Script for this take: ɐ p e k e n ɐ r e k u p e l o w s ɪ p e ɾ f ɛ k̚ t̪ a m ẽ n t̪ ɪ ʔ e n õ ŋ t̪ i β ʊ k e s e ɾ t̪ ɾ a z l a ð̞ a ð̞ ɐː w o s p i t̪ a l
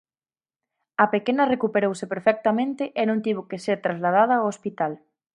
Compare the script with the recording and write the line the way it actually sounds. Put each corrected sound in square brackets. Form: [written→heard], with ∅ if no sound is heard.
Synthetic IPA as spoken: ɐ p e k e n ɐ r e k u p e [l→ɾ] o w s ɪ p e ɾ f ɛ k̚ t̪ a m ẽ n t̪ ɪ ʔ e n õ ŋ t̪ i β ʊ k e s e ɾ t̪ ɾ a z l a ð̞ a ð̞ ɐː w o s p i t̪ a l